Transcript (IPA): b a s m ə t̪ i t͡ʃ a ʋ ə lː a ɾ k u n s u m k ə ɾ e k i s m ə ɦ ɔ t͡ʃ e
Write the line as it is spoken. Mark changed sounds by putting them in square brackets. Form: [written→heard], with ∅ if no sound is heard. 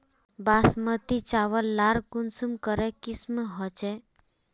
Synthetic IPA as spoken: b a s m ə t̪ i t͡ʃ a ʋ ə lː a ɾ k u n s u m k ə ɾ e k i s m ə ɦ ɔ t͡ʃ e